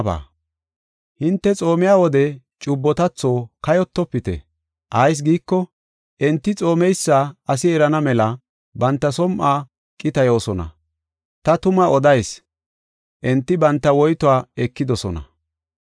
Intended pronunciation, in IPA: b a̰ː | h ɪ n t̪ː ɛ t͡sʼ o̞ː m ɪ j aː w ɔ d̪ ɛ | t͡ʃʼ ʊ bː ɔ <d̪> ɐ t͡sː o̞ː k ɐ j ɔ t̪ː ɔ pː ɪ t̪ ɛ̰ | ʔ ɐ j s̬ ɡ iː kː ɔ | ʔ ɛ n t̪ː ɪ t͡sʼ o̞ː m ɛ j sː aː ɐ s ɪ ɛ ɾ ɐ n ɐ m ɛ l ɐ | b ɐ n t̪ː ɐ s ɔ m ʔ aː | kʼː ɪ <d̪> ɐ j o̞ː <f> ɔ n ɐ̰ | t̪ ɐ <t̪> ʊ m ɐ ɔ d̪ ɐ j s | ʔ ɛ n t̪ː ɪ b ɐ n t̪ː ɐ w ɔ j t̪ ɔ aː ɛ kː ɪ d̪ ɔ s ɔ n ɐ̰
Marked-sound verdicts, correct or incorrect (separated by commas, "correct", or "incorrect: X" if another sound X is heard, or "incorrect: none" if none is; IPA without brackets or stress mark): incorrect: t̪, incorrect: t̪, incorrect: s, correct